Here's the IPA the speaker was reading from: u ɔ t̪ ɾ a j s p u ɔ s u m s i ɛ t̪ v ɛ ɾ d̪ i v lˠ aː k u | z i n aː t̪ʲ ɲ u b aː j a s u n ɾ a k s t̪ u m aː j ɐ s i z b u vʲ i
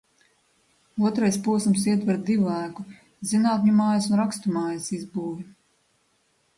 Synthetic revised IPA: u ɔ t̪ ɾ a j s p u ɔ s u m s i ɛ t̪ v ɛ ɾ d̪ i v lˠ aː k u | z i n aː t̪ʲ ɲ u m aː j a s u n ɾ a k s t̪ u m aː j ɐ s i z b uː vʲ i

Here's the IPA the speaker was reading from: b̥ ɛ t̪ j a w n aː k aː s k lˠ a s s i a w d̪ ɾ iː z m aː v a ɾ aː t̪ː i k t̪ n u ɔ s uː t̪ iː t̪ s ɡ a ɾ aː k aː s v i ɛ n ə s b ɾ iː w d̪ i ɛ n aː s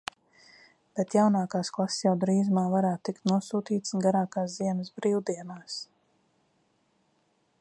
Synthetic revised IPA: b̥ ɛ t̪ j a w n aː k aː s k lˠ a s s j a w d̪ ɾ iː z m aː v a ɾ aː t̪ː i k t̪ n u ɔ s uː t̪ iː t̪ s ɡ a ɾ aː k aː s z i ɛ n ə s b ɾ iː w d̪ i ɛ n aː s

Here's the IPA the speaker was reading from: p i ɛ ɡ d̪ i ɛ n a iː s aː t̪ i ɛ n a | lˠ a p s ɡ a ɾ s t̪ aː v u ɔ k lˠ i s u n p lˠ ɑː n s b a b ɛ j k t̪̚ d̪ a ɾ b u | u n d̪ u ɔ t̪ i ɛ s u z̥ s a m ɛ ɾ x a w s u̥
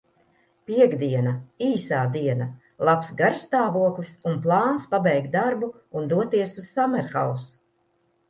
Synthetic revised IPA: p i ɛ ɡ d̪ i ɛ n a iː s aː d̪ i ɛ n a | lˠ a p s ɡ a ɾ s t̪ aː v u ɔ k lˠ i s u n p lˠ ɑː n s p a b ɛ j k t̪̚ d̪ a ɾ b u | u n d̪ u ɔ t̪ i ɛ s u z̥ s a m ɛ ɾ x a w s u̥

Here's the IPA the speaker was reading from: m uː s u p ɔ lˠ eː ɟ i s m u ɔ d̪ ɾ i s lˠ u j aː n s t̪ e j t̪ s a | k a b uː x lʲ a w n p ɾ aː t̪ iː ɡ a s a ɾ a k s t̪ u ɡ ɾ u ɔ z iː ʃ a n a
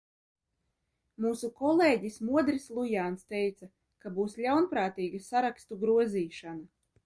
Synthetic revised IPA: m uː s u k ɔ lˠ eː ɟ i s m u ɔ d̪ ɾ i s lˠ u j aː n s t̪ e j t̪ s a | k a b uː s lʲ a w n p ɾ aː t̪ iː ɡ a s a ɾ a k s t̪ u ɡ ɾ u ɔ z iː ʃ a n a

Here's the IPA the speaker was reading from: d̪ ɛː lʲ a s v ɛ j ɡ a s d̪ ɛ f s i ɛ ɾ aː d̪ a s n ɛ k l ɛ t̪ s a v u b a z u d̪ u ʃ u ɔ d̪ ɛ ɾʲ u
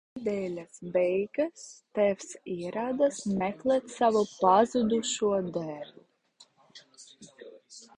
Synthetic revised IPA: d̪ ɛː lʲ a s b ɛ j ɡ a s t̪ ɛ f s i ɛ ɾ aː d̪ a s m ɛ k l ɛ t̪ s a v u p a z u d̪ u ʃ u ɔ d̪ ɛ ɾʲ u

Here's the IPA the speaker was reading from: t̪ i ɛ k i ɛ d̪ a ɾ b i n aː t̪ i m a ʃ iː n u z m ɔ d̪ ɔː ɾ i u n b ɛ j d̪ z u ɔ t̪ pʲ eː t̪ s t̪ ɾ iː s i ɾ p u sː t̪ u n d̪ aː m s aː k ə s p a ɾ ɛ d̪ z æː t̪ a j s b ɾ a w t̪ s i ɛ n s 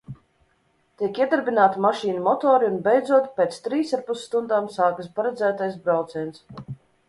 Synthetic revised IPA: t̪ i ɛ k i ɛ d̪ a ɾ b i n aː t̪ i m a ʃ iː n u m ɔ t̪ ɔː ɾ i u n b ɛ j d̪ z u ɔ t̪ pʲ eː t̪ s t̪ ɾ iː s a ɾ p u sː t̪ u n d̪ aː m s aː k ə s p a ɾ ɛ d̪ z æː t̪ a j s b ɾ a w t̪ s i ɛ n s

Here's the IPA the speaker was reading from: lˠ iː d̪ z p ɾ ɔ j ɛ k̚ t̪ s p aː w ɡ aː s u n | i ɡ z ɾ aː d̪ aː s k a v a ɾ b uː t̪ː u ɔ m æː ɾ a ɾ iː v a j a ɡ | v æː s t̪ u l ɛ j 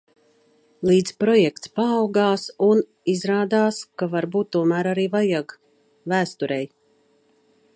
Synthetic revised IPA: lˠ iː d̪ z p ɾ ɔ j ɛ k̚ t̪ s p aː w ɡ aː s u n | i z ɾ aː d̪ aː s k a v a ɾ b uː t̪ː u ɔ m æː ɾ a ɾ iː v a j a ɡ | v æː s t̪ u ɾ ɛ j

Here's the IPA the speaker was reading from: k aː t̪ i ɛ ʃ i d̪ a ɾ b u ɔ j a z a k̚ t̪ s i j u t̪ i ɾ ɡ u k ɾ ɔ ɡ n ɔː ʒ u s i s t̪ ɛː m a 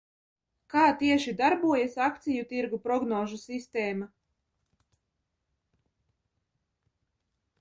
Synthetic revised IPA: k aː t̪ i ɛ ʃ i d̪ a ɾ b u ɔ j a s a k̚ t̪ s i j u t̪ i ɾ ɡ u p ɾ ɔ ɡ n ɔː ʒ u s i s t̪ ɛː m a

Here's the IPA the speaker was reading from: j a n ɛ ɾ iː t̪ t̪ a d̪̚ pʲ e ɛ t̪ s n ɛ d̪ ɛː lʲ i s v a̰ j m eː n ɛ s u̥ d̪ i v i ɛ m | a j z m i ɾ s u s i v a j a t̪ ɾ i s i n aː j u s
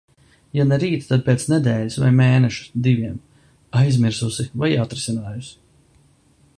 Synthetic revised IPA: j a n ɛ ɾ iː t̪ t̪ a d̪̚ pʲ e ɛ t̪ s n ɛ d̪ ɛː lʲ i s v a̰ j m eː n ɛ ʃ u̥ d̪ i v i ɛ m | a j z m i ɾ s u s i v a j a t̪ ɾ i s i n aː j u s

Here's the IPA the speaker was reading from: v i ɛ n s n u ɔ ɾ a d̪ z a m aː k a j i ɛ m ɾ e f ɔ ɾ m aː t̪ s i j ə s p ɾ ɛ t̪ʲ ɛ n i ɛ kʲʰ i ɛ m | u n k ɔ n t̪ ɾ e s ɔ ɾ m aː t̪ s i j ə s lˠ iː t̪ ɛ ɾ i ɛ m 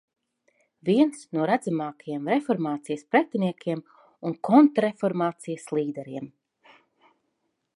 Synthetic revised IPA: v i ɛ n s n u ɔ ɾ a d̪ z a m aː k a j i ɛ m ɾ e f ɔ ɾ m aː t̪ s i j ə s p ɾ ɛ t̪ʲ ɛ n i ɛ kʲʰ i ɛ m | u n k ɔ n t̪ ɾ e f ɔ ɾ m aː t̪ s i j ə s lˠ iː d̪ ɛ ɾ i ɛ m

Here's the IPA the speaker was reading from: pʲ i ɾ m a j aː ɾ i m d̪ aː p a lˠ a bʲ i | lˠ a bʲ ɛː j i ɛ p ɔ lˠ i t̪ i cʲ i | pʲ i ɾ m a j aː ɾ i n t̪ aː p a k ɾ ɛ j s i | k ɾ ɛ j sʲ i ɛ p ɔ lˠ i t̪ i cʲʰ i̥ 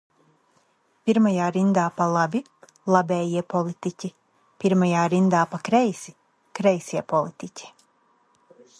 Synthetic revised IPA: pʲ i ɾ m a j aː ɾ i n d̪ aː p a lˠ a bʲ i | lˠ a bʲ ɛː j i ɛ p ɔ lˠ i t̪ i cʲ i | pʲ i ɾ m a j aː ɾ i n d̪ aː p a k ɾ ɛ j s i | k ɾ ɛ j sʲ i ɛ p ɔ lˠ i t̪ i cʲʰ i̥

